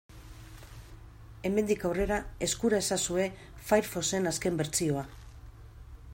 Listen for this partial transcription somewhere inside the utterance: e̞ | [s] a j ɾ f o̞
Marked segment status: incorrect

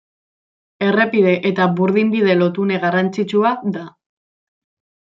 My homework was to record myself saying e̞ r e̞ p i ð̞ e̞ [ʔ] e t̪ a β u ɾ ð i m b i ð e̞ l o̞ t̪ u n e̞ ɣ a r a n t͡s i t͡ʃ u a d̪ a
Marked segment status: correct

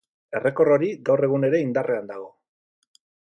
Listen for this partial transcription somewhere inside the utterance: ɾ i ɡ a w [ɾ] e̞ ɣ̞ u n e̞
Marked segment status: incorrect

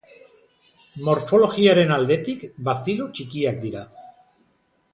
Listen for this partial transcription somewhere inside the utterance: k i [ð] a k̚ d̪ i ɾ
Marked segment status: incorrect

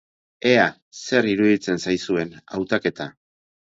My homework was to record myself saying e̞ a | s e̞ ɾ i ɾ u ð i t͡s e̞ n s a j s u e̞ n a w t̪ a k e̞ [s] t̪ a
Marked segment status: incorrect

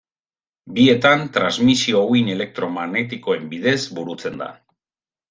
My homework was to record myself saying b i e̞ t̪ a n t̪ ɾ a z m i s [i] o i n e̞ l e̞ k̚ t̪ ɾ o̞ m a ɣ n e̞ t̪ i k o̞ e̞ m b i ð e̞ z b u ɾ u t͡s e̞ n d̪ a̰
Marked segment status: correct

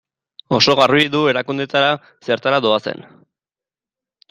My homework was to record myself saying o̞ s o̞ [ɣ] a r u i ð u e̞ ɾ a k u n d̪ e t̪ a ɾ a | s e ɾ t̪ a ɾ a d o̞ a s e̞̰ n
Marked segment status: correct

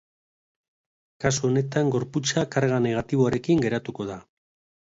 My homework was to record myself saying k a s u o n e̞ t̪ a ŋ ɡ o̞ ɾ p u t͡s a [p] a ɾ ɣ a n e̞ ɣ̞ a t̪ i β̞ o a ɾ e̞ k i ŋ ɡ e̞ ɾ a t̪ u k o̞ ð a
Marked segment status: incorrect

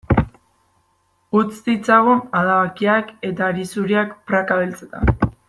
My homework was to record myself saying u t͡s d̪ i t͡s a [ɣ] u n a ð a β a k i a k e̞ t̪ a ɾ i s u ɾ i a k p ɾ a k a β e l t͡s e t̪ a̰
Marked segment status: correct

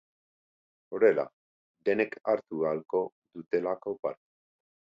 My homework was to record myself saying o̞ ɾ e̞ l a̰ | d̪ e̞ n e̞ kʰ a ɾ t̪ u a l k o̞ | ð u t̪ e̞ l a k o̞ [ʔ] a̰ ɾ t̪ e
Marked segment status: incorrect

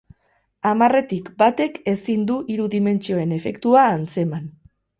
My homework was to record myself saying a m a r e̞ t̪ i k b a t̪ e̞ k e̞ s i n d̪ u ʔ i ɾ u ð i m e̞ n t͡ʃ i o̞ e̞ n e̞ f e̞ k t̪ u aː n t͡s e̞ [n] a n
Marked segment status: incorrect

